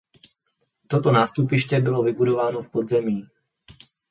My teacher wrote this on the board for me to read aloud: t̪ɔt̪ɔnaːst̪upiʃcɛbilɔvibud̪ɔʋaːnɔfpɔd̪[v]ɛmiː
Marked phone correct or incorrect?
incorrect